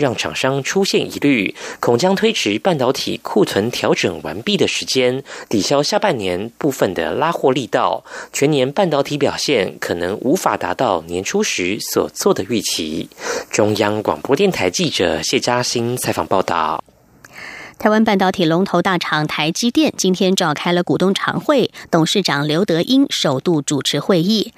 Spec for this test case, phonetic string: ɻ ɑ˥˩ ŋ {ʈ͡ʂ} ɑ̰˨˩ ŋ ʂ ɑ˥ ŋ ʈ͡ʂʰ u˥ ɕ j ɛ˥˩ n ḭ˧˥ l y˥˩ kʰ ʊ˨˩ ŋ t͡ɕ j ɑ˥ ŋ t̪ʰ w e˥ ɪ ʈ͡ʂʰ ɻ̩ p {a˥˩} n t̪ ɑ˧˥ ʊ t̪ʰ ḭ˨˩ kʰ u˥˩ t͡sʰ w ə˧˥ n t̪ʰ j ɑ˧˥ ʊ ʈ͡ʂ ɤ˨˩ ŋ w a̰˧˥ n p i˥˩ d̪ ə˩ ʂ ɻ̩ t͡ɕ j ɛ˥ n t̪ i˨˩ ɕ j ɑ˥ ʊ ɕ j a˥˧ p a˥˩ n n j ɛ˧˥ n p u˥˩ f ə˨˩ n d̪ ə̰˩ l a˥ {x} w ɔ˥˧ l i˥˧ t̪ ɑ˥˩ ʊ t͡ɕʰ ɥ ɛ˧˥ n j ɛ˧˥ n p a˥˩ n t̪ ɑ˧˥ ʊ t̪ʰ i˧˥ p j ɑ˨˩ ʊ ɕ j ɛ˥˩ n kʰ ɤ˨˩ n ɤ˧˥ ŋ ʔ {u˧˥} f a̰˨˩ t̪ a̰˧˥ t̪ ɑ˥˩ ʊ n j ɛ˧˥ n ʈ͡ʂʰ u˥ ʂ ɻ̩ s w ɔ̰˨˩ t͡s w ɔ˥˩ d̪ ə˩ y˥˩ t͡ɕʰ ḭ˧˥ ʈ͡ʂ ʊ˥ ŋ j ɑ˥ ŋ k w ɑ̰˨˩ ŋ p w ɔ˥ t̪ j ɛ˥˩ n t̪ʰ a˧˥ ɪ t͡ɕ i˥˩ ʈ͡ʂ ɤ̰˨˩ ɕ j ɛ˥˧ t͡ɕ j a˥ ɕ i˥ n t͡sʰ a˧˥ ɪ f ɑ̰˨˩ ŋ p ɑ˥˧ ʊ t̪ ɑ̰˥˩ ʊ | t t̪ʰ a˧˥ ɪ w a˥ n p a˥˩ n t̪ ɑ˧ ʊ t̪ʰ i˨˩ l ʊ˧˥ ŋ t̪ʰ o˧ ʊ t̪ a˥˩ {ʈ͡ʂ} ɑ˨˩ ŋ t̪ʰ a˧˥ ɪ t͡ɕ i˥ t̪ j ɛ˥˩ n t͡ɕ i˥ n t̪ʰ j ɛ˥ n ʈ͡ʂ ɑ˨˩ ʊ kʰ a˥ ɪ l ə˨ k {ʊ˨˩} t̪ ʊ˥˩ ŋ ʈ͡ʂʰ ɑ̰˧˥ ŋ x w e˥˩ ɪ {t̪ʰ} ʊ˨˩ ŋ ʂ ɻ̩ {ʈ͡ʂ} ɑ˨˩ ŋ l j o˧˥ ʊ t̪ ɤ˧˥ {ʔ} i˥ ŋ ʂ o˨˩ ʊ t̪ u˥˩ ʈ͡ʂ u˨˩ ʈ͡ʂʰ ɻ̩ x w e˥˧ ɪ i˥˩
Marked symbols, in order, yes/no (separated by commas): no, yes, yes, yes, no, no, no, yes, yes